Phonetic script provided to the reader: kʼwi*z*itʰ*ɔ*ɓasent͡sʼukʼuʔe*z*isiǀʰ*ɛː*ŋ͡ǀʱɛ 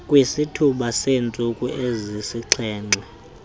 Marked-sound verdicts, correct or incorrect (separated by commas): incorrect, incorrect, correct, correct